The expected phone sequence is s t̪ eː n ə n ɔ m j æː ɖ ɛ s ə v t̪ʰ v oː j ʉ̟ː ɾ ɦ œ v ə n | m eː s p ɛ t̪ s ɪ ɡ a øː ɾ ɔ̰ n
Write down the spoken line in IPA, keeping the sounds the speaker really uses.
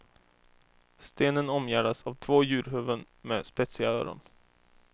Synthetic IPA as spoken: s t̪ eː n ə n ɔ m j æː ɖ a s a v t̪ʰ v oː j ʉ̟ː ɾ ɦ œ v ə n | m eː s p ɛ t̪ s ɪ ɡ a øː ɾ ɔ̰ n